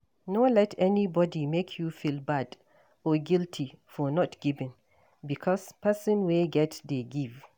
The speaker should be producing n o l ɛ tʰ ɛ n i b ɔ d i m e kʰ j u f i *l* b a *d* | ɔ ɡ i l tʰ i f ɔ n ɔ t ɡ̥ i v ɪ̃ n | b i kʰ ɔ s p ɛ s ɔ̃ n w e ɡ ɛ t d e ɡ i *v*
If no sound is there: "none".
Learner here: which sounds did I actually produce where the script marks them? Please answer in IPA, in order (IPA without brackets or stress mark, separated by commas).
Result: l, d, v